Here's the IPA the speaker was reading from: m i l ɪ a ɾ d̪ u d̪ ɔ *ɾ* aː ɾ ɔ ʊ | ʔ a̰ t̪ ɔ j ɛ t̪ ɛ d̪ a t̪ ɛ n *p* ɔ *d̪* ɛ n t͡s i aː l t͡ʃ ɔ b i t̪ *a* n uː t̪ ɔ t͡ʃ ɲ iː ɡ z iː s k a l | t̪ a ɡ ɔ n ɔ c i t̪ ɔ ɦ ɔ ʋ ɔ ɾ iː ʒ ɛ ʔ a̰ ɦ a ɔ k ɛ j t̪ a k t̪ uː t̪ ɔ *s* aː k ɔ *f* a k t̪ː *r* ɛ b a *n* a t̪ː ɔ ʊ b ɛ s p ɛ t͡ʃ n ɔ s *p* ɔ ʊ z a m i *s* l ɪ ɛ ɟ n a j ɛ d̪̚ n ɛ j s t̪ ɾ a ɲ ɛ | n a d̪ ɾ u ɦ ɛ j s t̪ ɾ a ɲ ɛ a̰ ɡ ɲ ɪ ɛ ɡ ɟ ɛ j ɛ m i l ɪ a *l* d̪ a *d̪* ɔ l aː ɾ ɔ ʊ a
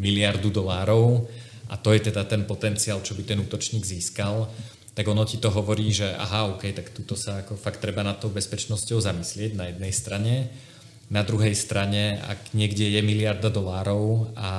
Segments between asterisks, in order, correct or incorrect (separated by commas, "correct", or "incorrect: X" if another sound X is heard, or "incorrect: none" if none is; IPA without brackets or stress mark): incorrect: l, correct, incorrect: t̪, incorrect: ɛ, correct, correct, incorrect: ɾ, correct, incorrect: c, correct, incorrect: ɾ, correct